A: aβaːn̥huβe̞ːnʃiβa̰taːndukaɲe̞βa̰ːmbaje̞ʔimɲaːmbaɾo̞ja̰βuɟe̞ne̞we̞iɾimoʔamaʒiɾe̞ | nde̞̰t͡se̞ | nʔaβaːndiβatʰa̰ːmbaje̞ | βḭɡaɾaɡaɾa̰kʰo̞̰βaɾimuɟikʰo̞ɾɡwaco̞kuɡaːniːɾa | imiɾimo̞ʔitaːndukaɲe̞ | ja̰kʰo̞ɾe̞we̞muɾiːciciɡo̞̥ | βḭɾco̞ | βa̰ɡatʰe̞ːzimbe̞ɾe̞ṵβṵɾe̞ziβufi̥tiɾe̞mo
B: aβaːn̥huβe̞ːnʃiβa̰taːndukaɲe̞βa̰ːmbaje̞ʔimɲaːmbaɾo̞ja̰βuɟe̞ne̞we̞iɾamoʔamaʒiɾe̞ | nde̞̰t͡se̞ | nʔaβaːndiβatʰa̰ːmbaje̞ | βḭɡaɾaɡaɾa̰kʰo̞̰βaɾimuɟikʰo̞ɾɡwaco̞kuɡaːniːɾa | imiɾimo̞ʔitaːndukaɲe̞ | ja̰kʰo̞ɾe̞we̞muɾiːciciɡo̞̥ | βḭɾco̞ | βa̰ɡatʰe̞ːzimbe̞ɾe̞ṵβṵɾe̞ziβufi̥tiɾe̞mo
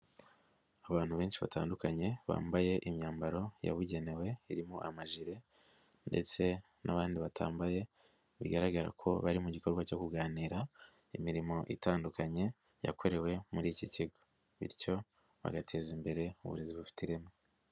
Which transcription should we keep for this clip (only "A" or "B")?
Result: A